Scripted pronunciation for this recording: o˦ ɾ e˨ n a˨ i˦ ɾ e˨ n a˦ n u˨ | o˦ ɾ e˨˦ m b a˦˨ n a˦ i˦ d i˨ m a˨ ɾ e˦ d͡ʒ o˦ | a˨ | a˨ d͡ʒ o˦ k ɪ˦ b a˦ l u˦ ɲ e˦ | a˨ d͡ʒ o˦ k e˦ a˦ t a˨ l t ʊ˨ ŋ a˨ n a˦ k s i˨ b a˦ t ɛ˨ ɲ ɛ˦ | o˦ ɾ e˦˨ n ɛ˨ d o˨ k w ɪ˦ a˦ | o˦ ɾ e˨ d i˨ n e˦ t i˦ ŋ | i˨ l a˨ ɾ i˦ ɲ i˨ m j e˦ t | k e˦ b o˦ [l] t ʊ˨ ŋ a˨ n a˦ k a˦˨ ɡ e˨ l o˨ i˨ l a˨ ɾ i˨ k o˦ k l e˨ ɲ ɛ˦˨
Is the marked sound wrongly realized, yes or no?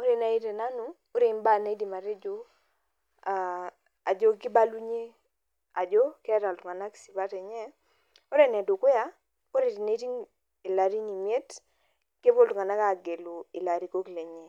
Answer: no